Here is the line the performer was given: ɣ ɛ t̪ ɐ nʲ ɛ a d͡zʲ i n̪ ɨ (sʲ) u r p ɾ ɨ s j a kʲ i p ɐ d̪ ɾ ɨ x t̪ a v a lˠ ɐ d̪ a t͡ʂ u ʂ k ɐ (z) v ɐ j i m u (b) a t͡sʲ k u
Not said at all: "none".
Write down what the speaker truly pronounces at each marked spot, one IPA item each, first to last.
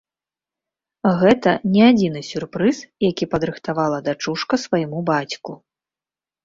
sʲ, s, b

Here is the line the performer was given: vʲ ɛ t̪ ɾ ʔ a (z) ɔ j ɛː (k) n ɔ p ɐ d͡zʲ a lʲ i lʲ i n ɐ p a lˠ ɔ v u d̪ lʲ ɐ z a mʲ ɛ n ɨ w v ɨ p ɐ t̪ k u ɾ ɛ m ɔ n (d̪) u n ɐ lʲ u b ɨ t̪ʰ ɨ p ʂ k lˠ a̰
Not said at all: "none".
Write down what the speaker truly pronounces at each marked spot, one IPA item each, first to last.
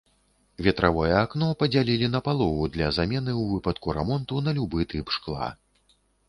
v, k, t̪

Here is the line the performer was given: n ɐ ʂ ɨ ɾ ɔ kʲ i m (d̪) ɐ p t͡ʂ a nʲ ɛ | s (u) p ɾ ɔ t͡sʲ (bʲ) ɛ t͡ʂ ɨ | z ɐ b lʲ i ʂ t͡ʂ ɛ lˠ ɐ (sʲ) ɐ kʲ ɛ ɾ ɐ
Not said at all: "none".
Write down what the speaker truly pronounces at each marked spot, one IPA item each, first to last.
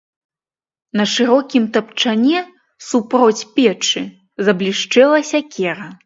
t̪, u, pʲ, sʲ

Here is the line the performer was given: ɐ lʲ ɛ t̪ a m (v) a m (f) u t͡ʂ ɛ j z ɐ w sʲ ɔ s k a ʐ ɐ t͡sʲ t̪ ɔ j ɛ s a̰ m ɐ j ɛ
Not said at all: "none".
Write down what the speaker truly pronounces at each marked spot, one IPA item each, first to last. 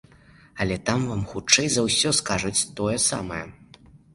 v, x

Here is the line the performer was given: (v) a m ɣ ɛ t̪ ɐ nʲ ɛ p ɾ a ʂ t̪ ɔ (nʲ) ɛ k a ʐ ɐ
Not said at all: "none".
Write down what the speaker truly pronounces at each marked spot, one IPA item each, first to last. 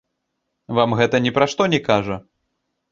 v, nʲ

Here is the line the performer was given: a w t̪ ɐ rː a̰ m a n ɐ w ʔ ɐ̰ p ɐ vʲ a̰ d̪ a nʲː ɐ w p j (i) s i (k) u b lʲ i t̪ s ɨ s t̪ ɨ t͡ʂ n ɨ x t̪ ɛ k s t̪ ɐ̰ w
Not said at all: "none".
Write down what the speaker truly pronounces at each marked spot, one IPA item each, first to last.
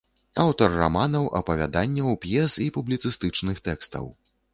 ɛ, p

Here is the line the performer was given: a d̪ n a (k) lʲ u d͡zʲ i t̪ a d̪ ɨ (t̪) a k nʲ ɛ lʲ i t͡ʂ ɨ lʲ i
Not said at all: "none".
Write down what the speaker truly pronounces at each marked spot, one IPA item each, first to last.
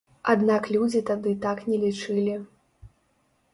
k, t̪

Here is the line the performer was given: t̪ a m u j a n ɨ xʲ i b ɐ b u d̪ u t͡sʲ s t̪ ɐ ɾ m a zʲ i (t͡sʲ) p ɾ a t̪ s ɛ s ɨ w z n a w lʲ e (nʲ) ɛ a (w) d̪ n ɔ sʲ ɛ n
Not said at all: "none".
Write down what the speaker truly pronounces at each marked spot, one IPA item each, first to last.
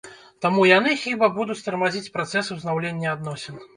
t͡sʲ, nʲː, none

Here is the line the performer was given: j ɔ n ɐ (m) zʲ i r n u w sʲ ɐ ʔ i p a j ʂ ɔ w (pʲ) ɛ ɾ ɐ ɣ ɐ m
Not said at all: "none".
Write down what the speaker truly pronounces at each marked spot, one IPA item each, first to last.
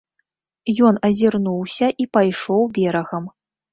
none, bʲ

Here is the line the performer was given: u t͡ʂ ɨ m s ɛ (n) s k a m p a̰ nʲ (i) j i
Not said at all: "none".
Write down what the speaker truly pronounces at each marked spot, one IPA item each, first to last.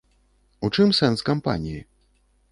n, i

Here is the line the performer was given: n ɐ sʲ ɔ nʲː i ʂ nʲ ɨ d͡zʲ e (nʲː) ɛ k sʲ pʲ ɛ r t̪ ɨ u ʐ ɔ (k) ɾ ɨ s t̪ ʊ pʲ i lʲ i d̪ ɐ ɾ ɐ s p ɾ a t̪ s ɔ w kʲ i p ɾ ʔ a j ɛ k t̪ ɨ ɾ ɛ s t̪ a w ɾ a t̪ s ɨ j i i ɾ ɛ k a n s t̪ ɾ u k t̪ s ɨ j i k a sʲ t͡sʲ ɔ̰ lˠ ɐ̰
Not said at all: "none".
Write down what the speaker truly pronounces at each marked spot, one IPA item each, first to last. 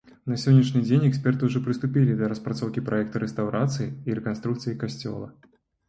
nʲ, p

